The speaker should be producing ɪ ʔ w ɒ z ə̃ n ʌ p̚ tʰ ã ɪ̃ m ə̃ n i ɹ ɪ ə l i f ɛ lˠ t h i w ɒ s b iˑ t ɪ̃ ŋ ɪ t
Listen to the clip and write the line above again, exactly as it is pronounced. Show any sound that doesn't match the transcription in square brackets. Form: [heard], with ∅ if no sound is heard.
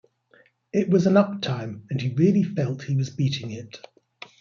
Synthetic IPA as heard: ɪ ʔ w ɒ z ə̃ n ʌ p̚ tʰ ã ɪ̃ m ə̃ n i ɹ ɪ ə l i f ɛ lˠ t h i w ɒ [z] b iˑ t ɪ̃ ŋ ɪ t